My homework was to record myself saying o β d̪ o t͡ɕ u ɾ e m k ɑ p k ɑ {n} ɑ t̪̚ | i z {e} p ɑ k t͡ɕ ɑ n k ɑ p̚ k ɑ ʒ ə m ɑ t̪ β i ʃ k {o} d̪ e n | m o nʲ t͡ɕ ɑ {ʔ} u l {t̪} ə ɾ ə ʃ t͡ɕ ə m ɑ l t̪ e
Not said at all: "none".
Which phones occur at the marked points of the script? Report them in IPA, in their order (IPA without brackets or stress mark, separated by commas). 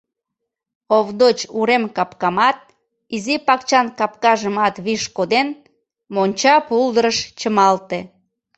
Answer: m, i, o, p, d̪